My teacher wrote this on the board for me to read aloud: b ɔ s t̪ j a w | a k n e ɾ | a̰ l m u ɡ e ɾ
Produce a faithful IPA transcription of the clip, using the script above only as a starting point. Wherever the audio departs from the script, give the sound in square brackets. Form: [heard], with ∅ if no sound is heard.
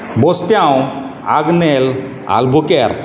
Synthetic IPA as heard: b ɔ s t̪ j a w | a [ɡ] n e [l] | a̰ l [b] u [k] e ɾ